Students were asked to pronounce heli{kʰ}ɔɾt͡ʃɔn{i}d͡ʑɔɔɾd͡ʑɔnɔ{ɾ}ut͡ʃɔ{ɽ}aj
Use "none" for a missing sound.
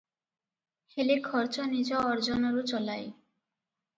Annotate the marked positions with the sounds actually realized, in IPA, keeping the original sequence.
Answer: kʰ, i, ɾ, l

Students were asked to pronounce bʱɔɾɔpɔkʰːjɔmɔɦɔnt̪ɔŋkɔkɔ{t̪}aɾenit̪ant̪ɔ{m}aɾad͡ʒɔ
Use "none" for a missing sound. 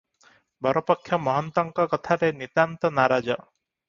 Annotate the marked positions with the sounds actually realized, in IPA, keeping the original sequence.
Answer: t̪ʰ, n

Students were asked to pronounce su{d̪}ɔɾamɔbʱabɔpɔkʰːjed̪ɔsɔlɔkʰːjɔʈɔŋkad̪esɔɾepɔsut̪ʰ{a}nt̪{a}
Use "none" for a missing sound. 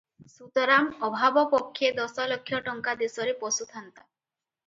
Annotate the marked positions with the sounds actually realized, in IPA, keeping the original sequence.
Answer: t̪, a, a

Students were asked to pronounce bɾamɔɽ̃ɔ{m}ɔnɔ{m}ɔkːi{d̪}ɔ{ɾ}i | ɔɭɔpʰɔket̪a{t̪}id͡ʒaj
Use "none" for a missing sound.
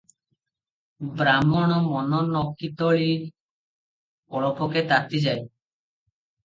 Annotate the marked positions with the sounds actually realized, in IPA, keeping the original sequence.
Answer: m, n, t̪, ɭ, t̪

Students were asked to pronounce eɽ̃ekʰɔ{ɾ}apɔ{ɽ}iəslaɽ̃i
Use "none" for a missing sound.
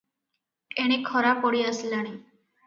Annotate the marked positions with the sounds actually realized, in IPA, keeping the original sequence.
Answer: ɾ, ɽ

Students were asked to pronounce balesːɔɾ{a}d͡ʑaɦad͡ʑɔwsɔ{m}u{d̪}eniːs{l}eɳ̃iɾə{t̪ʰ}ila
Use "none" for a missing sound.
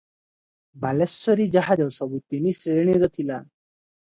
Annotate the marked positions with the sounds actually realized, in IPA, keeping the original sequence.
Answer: i, b, t̪, ɾ, t̪ʰ

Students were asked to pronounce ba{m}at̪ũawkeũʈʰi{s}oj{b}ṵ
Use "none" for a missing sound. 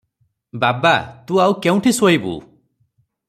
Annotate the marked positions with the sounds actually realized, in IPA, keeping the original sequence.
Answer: b, s, b

